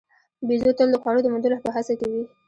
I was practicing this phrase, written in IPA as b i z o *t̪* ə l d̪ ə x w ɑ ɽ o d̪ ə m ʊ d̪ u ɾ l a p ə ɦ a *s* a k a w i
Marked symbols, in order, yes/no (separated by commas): yes, yes